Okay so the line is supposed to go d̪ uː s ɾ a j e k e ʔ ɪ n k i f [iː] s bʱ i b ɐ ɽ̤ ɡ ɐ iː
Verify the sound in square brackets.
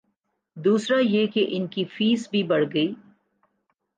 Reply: correct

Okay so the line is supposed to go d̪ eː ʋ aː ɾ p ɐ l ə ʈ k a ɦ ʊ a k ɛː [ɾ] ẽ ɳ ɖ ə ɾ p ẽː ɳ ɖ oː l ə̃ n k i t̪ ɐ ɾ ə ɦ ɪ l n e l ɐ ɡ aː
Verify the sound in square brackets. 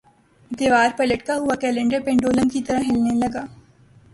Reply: incorrect: l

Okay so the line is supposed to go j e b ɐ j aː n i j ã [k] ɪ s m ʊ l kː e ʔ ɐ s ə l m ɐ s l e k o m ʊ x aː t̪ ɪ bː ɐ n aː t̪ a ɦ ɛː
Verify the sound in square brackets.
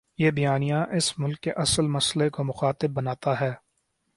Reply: incorrect: ʔ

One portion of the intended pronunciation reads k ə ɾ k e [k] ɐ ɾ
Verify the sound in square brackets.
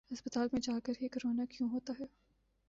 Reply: correct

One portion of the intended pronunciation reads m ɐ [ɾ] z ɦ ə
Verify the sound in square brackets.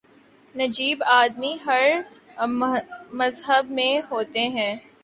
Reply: incorrect: none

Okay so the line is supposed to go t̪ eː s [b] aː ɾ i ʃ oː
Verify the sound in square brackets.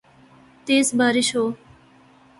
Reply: correct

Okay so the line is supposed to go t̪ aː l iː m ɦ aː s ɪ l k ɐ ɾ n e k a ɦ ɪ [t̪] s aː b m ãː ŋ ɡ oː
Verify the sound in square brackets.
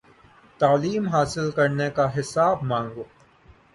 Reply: incorrect: none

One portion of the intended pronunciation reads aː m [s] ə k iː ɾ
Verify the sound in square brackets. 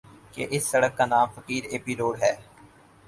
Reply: incorrect: f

